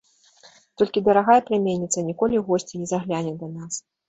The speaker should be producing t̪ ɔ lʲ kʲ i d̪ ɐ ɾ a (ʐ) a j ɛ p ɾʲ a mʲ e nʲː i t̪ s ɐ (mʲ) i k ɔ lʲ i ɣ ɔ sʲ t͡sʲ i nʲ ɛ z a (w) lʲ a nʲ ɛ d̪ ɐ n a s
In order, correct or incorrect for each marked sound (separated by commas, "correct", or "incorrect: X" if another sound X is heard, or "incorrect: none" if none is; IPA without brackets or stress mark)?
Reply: incorrect: ɣ, incorrect: nʲ, incorrect: ɣ